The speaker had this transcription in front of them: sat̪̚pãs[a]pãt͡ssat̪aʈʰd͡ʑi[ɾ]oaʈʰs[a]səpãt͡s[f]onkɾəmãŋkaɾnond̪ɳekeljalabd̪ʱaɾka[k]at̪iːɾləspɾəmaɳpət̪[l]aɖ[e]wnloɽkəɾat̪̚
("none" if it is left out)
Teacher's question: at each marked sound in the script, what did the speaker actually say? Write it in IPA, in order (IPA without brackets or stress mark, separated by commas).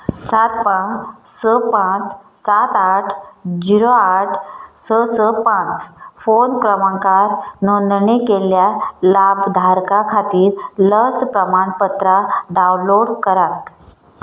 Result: ə, ɾ, ə, f, kʰ, ɾ, a